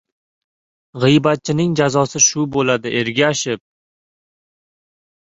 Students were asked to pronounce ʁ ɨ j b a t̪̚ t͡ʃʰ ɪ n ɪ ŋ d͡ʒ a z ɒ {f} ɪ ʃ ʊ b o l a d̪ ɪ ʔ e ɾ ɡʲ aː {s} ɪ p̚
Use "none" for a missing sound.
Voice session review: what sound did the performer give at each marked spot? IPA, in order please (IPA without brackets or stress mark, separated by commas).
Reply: s, ʃ